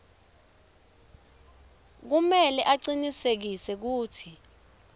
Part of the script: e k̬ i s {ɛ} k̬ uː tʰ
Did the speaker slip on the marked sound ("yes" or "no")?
no